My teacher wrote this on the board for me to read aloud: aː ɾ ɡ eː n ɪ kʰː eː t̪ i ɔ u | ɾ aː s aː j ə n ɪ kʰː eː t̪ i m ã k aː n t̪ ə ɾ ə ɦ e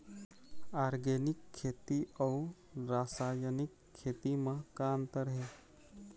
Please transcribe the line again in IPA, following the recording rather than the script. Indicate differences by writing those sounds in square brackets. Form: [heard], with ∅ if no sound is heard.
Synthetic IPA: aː ɾ ɡ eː n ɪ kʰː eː t̪ i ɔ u | ɾ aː s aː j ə n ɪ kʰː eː t̪ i m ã k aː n t̪ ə ɾ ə ɦ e